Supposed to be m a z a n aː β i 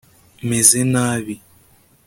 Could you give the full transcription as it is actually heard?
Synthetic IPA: m e z e n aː β i